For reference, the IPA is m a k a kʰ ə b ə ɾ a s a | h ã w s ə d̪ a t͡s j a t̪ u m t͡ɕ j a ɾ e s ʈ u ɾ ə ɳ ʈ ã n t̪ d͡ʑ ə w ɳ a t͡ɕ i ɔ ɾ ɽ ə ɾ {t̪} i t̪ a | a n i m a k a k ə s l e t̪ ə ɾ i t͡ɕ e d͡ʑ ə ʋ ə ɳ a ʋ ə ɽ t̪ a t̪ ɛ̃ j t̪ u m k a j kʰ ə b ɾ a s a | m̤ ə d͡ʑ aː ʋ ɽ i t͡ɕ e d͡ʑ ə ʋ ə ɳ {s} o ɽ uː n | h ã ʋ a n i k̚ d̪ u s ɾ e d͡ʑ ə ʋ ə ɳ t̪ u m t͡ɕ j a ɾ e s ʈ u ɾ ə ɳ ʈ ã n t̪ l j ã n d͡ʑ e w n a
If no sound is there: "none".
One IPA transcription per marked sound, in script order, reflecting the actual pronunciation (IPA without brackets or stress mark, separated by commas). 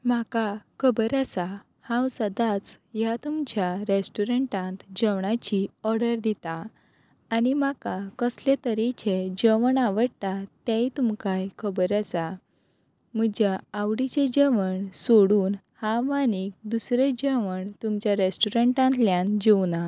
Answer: d̪, s